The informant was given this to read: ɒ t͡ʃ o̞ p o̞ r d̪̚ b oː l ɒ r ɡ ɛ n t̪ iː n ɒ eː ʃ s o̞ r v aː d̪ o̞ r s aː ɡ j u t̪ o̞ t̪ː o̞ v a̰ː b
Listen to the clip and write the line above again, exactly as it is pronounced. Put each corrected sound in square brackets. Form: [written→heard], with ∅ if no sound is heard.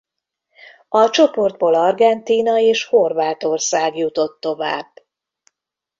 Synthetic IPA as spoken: ɒ t͡ʃ o̞ p o̞ r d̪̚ b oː l ɒ r ɡ ɛ n t̪ iː n ɒ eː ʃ [s→h] o̞ r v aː [d̪→t̪] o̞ r s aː ɡ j u t̪ o̞ t̪ː o̞ v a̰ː b